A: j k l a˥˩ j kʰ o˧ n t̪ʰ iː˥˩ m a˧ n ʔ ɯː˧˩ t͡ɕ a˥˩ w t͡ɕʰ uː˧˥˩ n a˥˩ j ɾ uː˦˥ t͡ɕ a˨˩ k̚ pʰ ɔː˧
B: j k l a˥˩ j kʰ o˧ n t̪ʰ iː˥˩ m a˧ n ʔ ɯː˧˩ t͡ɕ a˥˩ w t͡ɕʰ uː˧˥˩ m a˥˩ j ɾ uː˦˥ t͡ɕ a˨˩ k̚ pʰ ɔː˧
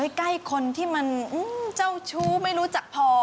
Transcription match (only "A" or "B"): B